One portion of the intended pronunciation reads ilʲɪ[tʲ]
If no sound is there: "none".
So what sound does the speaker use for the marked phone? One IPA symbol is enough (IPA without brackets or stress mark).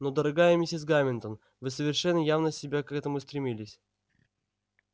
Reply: sʲ